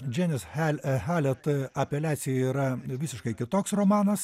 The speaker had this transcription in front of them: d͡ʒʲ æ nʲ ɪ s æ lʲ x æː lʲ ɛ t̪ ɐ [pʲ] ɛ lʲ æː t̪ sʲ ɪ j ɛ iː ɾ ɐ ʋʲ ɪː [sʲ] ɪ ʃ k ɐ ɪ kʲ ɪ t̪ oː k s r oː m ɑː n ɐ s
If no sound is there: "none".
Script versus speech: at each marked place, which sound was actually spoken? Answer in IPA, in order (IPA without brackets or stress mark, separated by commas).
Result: pʲ, sʲ